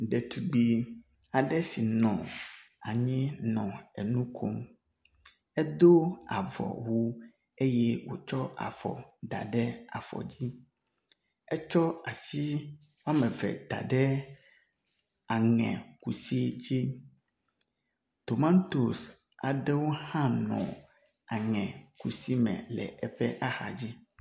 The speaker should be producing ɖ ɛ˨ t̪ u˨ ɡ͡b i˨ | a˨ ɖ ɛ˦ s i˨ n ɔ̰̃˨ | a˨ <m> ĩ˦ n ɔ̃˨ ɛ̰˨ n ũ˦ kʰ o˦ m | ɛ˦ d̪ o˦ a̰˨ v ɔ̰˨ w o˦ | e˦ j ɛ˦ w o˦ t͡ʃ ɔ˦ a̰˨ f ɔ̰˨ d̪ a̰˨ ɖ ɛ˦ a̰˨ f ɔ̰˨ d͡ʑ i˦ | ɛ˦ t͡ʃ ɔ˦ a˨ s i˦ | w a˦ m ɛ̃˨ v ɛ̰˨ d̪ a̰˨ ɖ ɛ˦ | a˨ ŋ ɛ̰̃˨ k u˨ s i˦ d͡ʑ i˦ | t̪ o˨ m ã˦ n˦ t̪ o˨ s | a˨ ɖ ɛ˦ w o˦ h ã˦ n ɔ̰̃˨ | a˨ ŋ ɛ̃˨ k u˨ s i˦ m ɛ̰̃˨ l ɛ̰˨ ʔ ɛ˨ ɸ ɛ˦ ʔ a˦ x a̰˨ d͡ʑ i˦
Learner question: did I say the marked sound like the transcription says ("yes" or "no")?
no